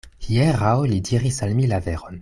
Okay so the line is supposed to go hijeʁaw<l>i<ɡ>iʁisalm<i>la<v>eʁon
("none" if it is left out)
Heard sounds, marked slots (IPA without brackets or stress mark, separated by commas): l, d, i, v